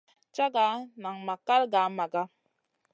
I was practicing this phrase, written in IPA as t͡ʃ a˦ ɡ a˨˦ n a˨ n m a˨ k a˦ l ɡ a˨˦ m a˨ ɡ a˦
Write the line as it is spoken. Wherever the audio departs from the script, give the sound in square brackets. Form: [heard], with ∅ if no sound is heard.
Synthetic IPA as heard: t͡ʃ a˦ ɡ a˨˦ n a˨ [ŋ] m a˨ k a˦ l ɡ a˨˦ m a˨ ɡ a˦